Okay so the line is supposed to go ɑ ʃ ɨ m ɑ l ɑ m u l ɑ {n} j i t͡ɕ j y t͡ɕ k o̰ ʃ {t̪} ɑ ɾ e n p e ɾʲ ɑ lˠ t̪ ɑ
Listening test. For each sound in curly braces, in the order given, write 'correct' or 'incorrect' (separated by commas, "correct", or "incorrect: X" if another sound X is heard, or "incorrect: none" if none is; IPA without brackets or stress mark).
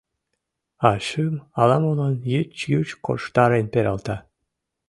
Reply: correct, correct